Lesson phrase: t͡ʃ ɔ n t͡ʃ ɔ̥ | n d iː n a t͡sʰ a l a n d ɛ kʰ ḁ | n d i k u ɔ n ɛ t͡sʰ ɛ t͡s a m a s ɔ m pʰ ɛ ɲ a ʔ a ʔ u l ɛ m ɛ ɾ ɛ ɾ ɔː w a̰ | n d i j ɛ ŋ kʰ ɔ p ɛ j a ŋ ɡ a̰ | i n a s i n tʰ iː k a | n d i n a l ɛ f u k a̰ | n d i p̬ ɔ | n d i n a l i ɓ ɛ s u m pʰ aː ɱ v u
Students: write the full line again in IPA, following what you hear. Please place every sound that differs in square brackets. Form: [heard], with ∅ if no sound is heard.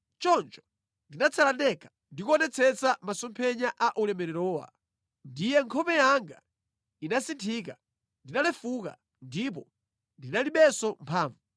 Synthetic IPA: t͡ʃ ɔ n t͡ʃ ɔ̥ | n d [i] n a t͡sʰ a l a n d ɛ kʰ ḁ | n d i k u ɔ n ɛ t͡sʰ ɛ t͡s a m a s ɔ m pʰ ɛ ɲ a ʔ a ʔ u l ɛ m ɛ ɾ ɛ ɾ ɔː w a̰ | n d i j ɛ ŋ kʰ ɔ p ɛ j a ŋ ɡ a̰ | i n a s i n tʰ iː k a | n d i n a l ɛ f u k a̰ | n d i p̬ ɔ | n d i n a l i ɓ ɛ s [ɔ] m pʰ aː ɱ v u

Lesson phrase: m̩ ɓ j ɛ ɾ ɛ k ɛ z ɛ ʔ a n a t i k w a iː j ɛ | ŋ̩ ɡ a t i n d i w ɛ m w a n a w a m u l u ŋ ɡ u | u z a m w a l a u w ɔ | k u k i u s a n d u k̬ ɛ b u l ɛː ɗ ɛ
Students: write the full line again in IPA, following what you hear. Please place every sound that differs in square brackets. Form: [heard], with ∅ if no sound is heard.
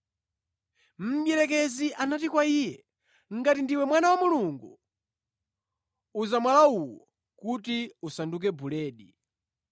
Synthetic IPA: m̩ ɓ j ɛ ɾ ɛ k ɛ z [i] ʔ a n a t i k w a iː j ɛ | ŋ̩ ɡ a t i n d i w ɛ m w a n a w a m u l u ŋ ɡ u | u z a m w a l a u w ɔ | k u [t] i u s a n d u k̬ ɛ b u l ɛː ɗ [i]

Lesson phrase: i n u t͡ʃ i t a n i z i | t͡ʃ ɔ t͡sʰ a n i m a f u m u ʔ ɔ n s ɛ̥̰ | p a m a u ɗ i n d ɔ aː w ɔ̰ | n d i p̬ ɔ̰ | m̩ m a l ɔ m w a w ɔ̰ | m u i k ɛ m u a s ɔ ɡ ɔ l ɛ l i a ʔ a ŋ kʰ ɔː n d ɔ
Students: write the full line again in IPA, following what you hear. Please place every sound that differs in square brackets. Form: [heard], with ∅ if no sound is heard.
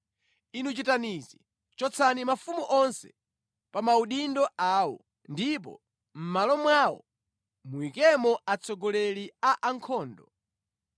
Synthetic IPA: i n u t͡ʃ i t a n i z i | t͡ʃ ɔ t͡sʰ a n i m a f u m u ʔ ɔ n s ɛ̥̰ | p a m a u ɗ i n d ɔ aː w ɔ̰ | n d i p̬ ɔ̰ | m̩ m a l ɔ m w a w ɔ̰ | m u i k ɛ m [ɔ] a [t͡s] ɔ ɡ ɔ l ɛ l i a ʔ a ŋ kʰ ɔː n d ɔ

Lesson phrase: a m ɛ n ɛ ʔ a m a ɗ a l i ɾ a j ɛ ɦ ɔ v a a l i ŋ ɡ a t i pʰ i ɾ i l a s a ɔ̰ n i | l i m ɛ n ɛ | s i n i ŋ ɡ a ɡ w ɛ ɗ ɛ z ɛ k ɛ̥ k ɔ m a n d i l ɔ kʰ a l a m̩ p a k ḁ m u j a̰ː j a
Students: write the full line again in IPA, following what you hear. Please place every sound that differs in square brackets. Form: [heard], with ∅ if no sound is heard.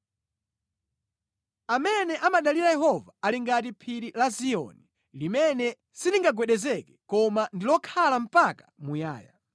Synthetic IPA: a m ɛ n ɛ ʔ a m a ɗ a l i ɾ a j ɛ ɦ ɔ v a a l i ŋ ɡ a t i pʰ i ɾ i l a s [i] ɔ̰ n i | l i m ɛ n ɛ | s i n i ŋ ɡ a ɡ w ɛ ɗ ɛ z ɛ k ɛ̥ k ɔ m a n d i l ɔ kʰ a l a m̩ p a k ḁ m u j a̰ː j a

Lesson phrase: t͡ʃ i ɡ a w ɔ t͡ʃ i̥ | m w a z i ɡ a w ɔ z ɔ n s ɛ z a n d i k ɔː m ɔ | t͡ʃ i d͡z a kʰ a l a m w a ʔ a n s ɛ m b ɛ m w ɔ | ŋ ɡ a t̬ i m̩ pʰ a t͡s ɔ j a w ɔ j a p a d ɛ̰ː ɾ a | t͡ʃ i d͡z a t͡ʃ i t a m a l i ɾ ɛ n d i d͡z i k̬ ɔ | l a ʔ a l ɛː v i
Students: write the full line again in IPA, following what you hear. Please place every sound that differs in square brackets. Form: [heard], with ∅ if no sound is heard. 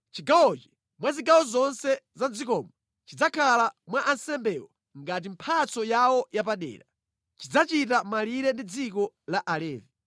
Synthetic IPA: t͡ʃ i ɡ a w ɔ t͡ʃ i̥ | m w a z i ɡ a w ɔ z ɔ n s ɛ z a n [d͡z] i k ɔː m ɔ | t͡ʃ i d͡z a kʰ a l a m w a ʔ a n s ɛ m b ɛ [∅] w ɔ | ŋ ɡ a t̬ i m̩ pʰ a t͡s ɔ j a w ɔ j a p a [ɗ] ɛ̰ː ɾ a | t͡ʃ i d͡z a t͡ʃ i t a m a l i ɾ ɛ n d i d͡z i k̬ ɔ | l a ʔ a l ɛː v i

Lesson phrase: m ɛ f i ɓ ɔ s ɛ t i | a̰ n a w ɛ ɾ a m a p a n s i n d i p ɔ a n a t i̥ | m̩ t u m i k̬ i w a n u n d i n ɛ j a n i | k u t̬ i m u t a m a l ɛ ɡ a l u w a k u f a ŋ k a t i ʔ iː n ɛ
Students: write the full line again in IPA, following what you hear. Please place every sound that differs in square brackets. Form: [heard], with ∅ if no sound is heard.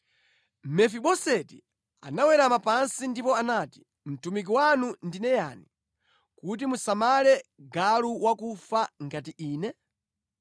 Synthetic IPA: m ɛ f i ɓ ɔ s ɛ t i | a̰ n a w ɛ ɾ a m a p a n s i n d i p ɔ a n a t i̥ | m̩ t u m i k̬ i w a n u n d i n ɛ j a n i | k u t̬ i m u [s] a m a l ɛ ɡ a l u w a k u f a ŋ [ɡ] a t i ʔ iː n ɛ

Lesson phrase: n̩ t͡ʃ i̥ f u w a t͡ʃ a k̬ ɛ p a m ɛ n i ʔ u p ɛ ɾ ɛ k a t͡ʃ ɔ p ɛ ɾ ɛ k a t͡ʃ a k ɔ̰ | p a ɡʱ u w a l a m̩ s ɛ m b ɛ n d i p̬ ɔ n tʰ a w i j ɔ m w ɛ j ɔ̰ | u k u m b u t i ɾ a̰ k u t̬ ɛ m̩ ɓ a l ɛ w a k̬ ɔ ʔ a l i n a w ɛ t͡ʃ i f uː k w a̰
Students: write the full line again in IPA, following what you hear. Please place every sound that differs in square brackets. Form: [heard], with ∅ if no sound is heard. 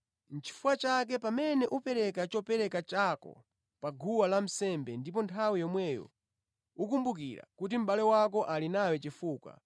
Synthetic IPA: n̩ t͡ʃ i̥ f u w a t͡ʃ a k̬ ɛ p a m ɛ n [ɛ] ʔ u p ɛ ɾ ɛ k a t͡ʃ ɔ p ɛ ɾ ɛ k a t͡ʃ a k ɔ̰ | p a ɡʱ u w a l a m̩ s ɛ m b ɛ n d i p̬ ɔ n tʰ a w i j ɔ m w ɛ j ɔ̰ | u k u m b u [k] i ɾ a̰ k u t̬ [i] m̩ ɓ a l ɛ w a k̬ ɔ ʔ a l i n a w ɛ t͡ʃ i f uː k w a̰

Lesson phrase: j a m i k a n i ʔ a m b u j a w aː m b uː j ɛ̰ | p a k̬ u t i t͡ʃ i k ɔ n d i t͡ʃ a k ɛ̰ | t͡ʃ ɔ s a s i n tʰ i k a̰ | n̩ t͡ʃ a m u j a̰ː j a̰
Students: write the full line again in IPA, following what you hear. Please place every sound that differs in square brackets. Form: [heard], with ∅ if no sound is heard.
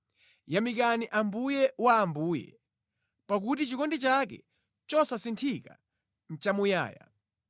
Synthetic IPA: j a m i k a n i ʔ a m b u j [ɛ] w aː m b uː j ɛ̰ | p a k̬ u t i t͡ʃ i k ɔ n d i t͡ʃ a k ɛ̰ | t͡ʃ ɔ s a s i n tʰ i k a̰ | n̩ t͡ʃ a m u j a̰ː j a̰

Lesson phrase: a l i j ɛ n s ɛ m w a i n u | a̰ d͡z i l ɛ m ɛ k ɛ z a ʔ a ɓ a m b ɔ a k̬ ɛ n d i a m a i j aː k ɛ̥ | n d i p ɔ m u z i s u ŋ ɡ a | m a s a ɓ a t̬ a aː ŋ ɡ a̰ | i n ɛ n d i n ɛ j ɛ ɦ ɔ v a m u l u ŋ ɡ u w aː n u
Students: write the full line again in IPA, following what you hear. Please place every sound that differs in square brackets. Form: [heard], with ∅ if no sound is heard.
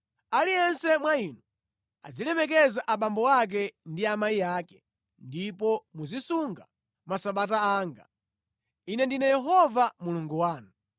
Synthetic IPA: a l i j ɛ n s ɛ m w a i n u | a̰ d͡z i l ɛ m ɛ k ɛ z a ʔ a ɓ a m b ɔ a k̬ ɛ n d i a m a i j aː k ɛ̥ | n d i p ɔ m u z i s u ŋ ɡ a | m a s a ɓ a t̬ a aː ŋ ɡ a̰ | i n ɛ n d i n ɛ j ɛ ɦ ɔ v a m u l u ŋ ɡ u w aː n u

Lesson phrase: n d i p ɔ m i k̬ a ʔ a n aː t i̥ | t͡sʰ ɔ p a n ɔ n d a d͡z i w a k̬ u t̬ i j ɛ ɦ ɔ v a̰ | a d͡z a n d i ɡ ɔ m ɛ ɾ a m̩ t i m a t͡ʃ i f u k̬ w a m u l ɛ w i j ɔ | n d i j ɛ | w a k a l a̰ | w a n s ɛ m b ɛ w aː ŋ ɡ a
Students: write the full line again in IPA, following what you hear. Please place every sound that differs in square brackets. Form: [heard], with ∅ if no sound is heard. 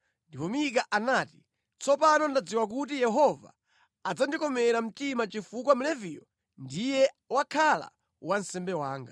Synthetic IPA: n d i p ɔ m i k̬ a ʔ a n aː t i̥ | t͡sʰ ɔ p a n ɔ n d a d͡z i w a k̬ u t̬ i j ɛ ɦ ɔ v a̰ | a d͡z a n d i [k] ɔ m ɛ ɾ a m̩ t i m a t͡ʃ i f u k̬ w a m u l ɛ [v] i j ɔ | n d i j ɛ | w a [kʰ] a l a̰ | w a n s ɛ m b ɛ w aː ŋ ɡ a

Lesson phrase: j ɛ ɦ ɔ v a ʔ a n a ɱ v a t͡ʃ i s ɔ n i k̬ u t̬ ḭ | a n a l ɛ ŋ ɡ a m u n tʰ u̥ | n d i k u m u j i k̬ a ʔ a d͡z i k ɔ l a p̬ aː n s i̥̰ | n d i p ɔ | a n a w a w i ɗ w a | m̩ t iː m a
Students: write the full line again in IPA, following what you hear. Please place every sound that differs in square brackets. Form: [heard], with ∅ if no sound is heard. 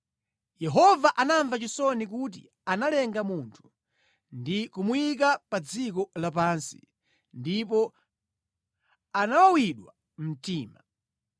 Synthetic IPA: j ɛ ɦ ɔ v a ʔ a n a ɱ v a t͡ʃ i s ɔ n i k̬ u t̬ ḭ | a n a l ɛ ŋ ɡ a m u n tʰ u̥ | n d i k u m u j i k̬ a [p] a d͡z i k ɔ l a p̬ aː n s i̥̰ | n d i p ɔ | a n a w a w i ɗ w a | m̩ t iː m a

